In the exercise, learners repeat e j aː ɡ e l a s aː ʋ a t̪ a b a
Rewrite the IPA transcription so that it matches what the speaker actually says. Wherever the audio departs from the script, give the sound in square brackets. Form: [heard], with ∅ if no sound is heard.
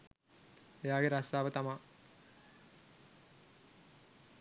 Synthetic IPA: e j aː ɡ e [ɾ] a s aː ʋ [ə] t̪ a [m] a